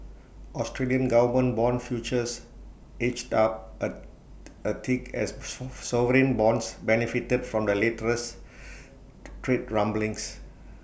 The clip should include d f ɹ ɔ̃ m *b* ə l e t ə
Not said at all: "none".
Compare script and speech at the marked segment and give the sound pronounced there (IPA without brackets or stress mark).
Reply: d